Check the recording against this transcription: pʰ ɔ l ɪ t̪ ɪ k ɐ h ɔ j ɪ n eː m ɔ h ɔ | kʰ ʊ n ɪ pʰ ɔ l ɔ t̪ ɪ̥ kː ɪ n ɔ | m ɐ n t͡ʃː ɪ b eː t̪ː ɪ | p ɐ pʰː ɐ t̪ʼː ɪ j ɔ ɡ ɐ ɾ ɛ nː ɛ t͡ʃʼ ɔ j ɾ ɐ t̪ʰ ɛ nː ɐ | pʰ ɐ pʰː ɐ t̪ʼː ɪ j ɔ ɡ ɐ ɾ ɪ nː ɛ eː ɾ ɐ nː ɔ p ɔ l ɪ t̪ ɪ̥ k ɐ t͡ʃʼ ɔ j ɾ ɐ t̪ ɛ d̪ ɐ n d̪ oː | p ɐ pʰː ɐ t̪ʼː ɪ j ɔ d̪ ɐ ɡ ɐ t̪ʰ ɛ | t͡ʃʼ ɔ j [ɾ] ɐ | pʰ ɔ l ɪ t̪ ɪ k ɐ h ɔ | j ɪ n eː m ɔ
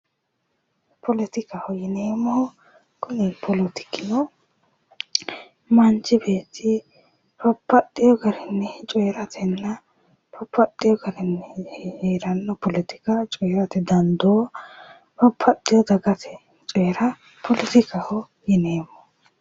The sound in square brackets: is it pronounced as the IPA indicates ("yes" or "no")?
yes